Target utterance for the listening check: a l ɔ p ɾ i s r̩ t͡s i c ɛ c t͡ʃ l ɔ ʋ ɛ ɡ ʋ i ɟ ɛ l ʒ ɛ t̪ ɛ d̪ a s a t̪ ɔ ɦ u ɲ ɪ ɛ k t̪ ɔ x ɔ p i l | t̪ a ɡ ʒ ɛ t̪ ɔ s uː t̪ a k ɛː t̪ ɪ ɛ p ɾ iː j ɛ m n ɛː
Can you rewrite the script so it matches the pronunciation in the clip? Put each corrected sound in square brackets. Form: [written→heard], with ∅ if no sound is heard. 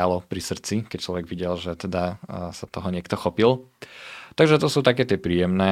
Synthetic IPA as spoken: a l ɔ p ɾ i s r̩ t͡s i [c→k] ɛ c t͡ʃ l ɔ ʋ ɛ ɡ ʋ i ɟ ɛ l ʒ ɛ t̪ ɛ d̪ a s a t̪ ɔ ɦ [u→ɔ] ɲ ɪ ɛ k t̪ ɔ x ɔ p i l | t̪ a ɡ ʒ ɛ t̪ ɔ s uː t̪ a k ɛː t̪ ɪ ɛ p ɾ iː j ɛ m n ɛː